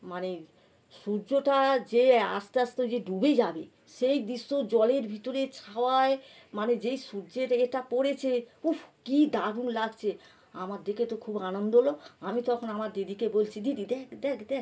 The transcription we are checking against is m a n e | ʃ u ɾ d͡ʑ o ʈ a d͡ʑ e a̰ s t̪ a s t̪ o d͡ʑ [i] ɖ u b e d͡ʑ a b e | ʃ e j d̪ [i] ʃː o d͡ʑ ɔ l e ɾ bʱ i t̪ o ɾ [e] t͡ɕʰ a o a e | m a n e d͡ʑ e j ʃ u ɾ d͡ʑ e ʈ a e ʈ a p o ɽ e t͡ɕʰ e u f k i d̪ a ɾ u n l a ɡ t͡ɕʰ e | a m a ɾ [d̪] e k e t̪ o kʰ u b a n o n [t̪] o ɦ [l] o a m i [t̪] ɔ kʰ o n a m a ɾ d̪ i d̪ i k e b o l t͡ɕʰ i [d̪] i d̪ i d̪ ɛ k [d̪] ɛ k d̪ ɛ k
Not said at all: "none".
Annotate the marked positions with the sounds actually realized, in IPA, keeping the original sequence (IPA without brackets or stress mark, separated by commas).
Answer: e, i, e, d̪, d̪, l, t̪, d̪, d̪